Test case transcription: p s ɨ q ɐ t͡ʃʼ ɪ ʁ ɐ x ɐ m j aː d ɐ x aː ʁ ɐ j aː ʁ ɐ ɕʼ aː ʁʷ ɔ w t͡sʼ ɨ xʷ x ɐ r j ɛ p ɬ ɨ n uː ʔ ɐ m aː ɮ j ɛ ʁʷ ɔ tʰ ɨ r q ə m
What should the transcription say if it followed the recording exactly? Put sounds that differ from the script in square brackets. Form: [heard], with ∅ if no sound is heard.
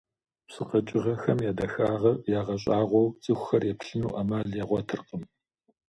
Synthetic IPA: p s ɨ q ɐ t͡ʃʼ ɪ ʁ ɐ x ɐ m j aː d ɐ x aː ʁ ɐ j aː ʁ ɐ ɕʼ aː ʁʷ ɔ w t͡sʼ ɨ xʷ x ɐ r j ɛ p ɬ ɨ n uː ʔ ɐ m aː ɮ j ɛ ʁʷ ɔ tʰ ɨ r q ə m